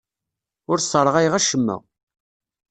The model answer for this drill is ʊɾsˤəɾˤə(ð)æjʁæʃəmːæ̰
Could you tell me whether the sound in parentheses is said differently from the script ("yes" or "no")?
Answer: yes